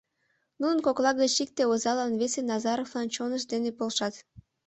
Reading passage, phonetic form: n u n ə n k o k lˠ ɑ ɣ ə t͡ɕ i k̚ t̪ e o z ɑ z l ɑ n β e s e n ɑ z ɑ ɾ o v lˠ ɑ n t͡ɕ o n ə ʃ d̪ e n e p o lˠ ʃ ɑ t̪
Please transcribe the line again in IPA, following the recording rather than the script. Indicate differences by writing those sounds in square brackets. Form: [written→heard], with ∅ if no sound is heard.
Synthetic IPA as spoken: n u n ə n k o k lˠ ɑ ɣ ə t͡ɕ i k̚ t̪ e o z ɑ [z→∅] l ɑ n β e s e n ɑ z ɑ ɾ o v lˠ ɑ n t͡ɕ o n ə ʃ d̪ e n e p o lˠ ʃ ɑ t̪